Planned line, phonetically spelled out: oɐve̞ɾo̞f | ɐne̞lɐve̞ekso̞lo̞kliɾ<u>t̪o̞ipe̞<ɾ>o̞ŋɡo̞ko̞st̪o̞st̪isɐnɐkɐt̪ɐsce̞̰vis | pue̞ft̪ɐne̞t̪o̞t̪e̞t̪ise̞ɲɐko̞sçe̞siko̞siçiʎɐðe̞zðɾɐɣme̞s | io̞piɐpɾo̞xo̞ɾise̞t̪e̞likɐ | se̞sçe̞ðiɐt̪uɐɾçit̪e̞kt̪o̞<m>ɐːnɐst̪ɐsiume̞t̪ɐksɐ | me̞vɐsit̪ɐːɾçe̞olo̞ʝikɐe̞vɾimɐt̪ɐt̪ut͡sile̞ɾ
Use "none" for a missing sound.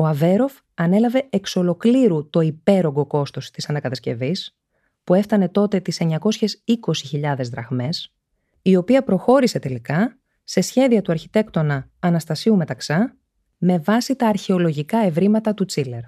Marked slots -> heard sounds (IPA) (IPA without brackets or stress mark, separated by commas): u, ɾ, n